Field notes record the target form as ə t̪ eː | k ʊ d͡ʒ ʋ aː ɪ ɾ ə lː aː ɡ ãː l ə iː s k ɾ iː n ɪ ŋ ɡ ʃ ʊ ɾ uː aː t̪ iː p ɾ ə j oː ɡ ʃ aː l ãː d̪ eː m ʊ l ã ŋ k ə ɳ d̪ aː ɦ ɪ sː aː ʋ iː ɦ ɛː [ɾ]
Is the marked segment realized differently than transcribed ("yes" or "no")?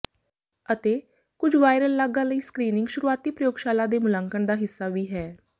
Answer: yes